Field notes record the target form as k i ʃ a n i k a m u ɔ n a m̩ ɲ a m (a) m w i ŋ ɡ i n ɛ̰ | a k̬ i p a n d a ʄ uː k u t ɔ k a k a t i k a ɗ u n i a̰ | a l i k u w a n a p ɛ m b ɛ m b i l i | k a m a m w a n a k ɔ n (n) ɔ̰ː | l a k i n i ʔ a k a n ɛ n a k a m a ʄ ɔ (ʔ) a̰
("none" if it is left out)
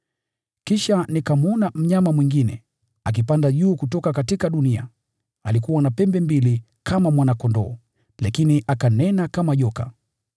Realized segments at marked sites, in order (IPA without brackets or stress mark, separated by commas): a, d, k